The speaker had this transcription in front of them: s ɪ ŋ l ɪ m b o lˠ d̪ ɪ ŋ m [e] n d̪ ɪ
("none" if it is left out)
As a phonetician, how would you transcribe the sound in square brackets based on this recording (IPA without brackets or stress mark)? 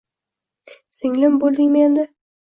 e